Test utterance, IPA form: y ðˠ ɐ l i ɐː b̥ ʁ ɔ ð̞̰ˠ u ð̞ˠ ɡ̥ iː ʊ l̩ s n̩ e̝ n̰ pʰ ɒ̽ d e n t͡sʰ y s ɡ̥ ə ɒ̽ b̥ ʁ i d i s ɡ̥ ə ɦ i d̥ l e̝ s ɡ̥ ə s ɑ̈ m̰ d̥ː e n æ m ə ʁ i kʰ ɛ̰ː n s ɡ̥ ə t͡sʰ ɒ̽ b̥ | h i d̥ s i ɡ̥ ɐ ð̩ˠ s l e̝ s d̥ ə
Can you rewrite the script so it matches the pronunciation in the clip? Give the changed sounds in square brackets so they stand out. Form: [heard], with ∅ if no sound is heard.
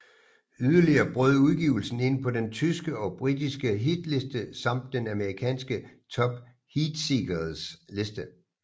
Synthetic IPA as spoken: y ðˠ ɐ l i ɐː b̥ ʁ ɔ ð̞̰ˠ u ð̞ˠ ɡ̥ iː ʊ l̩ s n̩ e̝ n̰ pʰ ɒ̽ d e n t͡sʰ y s ɡ̥ ə ɒ̽ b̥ ʁ i d i s ɡ̥ ə ɦ i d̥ l e̝ s [d̥] ə s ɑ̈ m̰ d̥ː e n æ m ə ʁ i kʰ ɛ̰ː n s ɡ̥ ə t͡sʰ ɒ̽ b̥ | h i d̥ s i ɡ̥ ɐ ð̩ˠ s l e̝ s d̥ ə